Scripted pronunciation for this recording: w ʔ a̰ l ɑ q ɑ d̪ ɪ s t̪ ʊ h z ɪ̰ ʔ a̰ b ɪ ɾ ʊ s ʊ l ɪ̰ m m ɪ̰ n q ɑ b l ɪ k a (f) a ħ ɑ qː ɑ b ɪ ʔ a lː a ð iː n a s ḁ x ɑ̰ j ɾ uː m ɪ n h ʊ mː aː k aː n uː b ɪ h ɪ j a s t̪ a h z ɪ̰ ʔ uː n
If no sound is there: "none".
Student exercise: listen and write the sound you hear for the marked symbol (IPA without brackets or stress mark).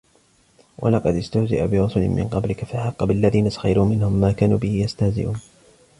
f